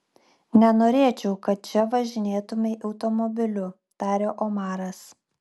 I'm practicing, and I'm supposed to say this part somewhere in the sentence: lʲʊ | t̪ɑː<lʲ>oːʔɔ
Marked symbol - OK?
no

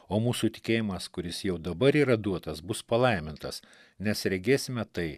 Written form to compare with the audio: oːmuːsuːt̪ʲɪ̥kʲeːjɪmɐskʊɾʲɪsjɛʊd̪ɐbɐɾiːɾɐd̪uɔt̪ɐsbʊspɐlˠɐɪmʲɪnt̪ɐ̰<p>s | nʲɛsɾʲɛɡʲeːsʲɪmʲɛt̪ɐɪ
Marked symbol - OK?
no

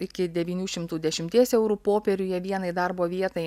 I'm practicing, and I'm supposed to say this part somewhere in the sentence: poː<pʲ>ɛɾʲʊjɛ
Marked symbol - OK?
yes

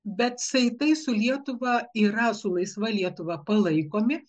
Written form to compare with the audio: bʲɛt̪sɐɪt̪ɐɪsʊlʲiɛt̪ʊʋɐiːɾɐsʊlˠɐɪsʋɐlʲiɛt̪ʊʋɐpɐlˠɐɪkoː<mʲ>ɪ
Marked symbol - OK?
yes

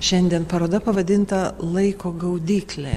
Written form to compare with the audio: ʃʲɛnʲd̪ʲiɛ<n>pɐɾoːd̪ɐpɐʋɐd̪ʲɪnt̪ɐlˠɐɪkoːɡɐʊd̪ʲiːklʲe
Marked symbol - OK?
yes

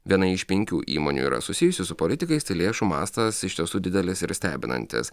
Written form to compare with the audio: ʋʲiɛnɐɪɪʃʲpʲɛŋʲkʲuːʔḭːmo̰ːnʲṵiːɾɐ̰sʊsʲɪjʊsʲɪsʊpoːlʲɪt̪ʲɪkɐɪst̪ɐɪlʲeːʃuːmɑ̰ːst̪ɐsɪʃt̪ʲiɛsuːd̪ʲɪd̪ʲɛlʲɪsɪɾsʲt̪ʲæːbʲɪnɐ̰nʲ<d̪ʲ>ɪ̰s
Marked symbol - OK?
no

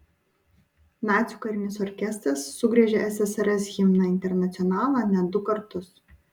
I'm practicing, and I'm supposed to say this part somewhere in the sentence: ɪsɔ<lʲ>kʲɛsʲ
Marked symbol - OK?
no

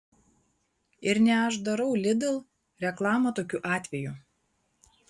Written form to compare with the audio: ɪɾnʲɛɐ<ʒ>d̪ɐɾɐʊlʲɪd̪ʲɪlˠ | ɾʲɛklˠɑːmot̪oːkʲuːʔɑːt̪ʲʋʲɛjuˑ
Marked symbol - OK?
yes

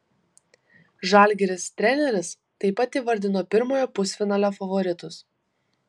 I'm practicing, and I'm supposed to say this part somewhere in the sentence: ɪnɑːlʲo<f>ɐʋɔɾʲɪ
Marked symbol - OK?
yes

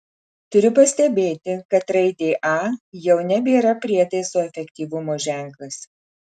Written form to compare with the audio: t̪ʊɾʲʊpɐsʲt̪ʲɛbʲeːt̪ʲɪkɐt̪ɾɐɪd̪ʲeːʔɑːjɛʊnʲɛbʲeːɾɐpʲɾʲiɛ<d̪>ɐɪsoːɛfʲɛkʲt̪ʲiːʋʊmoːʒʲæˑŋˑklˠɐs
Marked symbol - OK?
no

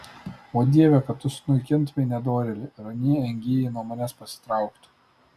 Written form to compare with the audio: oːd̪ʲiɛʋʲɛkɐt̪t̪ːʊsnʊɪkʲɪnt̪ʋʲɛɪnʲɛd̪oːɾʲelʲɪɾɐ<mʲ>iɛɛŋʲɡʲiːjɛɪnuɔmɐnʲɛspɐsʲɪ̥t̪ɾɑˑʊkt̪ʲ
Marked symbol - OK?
no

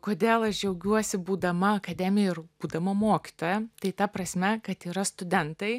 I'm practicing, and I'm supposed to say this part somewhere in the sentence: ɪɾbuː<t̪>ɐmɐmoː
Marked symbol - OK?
no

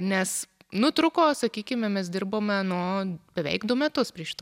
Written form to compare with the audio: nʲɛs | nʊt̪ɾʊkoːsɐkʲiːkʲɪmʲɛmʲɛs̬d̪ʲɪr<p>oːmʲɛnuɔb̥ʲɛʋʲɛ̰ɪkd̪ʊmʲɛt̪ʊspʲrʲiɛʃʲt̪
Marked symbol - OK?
no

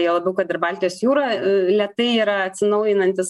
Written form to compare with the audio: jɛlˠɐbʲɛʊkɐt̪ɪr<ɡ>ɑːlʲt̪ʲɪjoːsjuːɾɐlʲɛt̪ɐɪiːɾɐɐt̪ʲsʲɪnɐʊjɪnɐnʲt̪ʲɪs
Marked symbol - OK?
no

